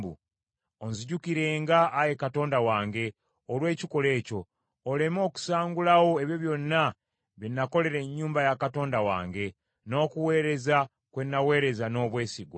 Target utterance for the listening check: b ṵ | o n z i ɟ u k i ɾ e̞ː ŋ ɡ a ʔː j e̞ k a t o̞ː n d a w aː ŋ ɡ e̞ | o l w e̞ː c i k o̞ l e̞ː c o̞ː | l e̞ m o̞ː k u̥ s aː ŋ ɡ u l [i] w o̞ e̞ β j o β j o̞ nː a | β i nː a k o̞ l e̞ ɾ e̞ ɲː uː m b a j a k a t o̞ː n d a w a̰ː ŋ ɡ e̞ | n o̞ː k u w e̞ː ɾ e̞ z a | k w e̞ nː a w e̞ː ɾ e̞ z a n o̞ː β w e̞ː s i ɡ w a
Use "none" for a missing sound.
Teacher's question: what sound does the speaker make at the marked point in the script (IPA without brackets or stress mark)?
a